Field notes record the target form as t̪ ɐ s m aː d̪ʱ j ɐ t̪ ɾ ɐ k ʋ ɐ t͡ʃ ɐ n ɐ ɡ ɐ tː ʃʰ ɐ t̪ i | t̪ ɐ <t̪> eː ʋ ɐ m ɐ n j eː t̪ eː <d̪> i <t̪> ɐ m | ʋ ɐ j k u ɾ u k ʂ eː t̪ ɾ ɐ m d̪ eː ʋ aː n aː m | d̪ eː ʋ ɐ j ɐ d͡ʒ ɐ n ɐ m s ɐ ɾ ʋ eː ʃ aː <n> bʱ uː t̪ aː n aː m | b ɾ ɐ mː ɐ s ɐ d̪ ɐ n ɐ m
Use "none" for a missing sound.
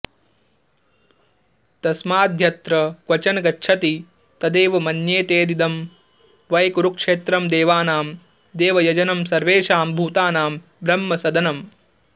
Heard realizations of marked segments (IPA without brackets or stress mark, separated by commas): d̪, d̪, d̪, m